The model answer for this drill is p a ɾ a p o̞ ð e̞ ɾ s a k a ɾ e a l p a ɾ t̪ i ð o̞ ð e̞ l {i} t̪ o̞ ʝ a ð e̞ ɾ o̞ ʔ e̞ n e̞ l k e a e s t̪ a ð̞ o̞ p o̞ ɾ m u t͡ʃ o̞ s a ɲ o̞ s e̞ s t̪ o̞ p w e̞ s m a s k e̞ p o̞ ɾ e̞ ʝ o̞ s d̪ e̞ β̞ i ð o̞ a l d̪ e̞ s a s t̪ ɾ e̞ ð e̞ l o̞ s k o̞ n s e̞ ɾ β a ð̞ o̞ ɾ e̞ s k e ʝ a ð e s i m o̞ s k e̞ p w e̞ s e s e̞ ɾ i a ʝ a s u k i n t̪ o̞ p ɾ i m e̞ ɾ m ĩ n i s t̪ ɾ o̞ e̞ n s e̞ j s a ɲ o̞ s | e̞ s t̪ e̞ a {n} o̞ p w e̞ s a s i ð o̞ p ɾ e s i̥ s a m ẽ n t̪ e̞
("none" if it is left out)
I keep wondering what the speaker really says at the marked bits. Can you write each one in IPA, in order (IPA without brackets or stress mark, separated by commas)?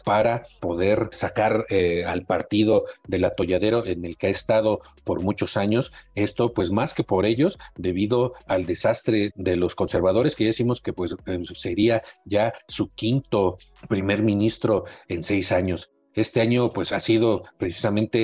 a, ɲ